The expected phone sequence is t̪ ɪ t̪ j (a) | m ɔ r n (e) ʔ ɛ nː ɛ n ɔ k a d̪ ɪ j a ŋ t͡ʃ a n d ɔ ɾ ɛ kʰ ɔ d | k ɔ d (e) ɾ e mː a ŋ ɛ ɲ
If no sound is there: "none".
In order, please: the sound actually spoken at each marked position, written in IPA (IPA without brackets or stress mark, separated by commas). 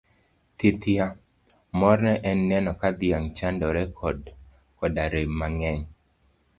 a, ɛ, a